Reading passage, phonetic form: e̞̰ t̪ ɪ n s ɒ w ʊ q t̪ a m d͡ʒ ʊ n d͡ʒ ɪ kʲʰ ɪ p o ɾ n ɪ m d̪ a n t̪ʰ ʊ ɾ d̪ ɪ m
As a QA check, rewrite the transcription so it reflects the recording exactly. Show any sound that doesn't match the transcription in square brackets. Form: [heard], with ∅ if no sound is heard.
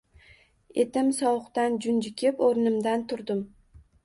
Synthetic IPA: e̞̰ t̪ ɪ [m] s ɒ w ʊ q t̪ a [n] d͡ʒ ʊ n d͡ʒ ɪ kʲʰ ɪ p o ɾ n ɪ m d̪ a n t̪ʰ ʊ ɾ d̪ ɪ m